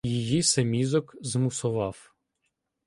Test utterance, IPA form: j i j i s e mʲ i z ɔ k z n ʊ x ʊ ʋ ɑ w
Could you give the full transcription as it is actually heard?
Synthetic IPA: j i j i s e mʲ i z ɔ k z m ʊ s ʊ ʋ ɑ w